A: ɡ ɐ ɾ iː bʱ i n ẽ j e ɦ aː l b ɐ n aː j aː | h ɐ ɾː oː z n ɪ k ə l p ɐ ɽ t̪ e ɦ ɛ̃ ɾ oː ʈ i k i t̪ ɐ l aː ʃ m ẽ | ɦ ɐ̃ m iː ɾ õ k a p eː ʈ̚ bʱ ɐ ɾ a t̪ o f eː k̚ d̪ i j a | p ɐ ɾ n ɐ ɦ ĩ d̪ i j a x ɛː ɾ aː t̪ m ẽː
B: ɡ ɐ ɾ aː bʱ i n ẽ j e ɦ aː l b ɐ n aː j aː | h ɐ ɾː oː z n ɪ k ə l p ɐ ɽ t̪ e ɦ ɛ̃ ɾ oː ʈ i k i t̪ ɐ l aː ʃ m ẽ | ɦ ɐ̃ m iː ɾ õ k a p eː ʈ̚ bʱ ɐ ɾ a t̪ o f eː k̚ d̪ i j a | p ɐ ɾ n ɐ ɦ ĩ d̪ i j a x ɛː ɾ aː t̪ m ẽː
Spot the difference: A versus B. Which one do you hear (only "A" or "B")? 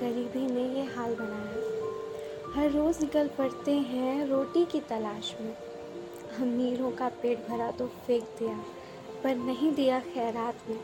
A